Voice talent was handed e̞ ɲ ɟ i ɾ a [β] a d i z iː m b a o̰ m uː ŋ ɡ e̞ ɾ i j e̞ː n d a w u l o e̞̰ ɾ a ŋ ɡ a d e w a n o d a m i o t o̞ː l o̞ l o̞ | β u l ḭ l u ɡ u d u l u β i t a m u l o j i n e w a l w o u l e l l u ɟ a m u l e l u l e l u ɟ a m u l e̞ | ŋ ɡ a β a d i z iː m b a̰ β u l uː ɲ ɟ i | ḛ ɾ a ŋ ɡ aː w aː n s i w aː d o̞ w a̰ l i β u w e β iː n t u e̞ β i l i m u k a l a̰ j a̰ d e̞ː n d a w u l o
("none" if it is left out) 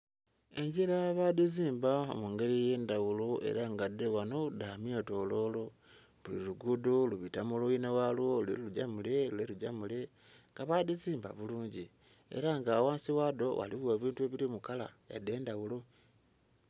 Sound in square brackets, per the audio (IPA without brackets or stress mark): β